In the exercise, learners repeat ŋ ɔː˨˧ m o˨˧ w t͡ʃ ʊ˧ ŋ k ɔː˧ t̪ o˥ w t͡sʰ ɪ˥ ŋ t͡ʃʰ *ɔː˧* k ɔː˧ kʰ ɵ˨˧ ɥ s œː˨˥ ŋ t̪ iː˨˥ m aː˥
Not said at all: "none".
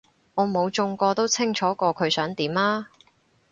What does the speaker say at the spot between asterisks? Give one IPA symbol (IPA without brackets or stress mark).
ɔː˨˥